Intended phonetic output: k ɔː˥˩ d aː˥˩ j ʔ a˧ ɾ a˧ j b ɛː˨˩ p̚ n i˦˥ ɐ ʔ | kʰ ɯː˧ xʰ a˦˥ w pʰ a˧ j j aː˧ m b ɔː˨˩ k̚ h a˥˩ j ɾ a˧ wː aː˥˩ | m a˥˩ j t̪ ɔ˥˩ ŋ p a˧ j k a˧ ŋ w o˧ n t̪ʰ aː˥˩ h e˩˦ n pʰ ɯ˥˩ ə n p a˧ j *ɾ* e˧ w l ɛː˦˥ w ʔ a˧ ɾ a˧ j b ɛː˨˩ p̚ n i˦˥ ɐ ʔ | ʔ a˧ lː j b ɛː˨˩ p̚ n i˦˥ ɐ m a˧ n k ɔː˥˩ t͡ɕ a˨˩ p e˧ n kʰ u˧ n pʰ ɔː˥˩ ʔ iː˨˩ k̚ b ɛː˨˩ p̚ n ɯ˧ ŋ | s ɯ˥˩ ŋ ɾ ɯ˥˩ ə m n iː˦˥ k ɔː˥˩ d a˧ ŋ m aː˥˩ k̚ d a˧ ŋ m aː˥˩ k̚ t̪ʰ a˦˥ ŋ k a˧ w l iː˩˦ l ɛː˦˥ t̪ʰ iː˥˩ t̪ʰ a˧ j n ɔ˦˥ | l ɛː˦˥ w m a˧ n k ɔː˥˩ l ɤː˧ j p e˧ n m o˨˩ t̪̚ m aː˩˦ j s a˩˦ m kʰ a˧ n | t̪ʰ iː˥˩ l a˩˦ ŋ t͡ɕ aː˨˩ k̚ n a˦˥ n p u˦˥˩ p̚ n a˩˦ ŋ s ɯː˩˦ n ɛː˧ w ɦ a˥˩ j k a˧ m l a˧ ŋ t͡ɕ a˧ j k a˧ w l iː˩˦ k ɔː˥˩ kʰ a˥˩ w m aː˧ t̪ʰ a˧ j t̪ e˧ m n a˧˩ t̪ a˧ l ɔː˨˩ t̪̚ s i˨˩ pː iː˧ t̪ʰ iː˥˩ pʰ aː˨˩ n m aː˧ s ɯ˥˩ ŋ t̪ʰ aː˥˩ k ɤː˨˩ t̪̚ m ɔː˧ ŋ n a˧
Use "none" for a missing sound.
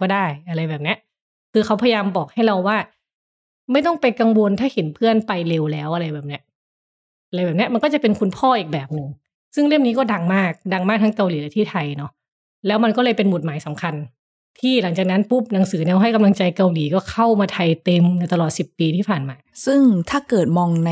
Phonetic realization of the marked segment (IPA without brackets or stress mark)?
l